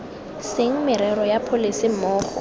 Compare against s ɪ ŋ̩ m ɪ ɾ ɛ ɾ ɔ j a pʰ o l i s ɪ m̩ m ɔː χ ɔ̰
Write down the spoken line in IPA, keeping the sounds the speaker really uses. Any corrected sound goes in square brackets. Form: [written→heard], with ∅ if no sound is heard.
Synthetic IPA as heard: s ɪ ŋ̩ m ɪ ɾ ɛ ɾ ɔ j a pʰ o l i s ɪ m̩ m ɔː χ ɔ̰